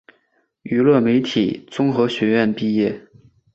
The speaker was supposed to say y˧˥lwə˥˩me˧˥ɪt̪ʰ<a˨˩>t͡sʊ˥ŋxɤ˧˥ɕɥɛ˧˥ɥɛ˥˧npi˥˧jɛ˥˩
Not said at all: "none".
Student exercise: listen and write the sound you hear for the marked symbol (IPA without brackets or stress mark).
i˨˩